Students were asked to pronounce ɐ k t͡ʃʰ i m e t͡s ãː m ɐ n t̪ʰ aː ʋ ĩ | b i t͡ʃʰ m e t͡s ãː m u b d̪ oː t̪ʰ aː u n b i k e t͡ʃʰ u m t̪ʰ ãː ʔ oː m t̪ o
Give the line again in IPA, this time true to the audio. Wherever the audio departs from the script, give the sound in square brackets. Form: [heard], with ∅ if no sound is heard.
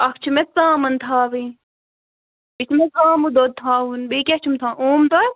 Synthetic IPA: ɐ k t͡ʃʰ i m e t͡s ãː m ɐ n t̪ʰ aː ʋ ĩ | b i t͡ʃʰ m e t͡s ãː m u [∅] d̪ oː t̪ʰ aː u n b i k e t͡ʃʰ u m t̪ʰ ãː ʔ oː m t̪ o